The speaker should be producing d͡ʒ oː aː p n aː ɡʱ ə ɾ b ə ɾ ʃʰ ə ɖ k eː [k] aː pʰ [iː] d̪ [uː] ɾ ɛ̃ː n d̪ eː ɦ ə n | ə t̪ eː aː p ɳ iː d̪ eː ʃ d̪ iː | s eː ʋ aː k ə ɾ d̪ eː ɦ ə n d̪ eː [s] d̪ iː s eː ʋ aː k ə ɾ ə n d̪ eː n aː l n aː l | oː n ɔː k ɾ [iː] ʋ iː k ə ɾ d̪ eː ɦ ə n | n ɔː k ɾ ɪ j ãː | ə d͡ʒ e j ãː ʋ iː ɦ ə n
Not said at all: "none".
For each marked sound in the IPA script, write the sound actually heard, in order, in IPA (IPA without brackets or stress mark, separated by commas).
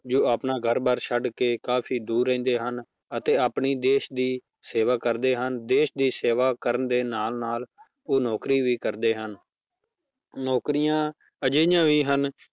k, iː, uː, ʃ, iː